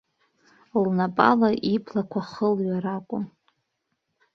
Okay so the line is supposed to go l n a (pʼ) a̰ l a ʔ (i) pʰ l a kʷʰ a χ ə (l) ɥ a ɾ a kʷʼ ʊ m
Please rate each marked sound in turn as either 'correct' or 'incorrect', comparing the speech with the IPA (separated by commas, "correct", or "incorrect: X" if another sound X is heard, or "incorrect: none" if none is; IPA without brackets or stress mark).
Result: correct, correct, correct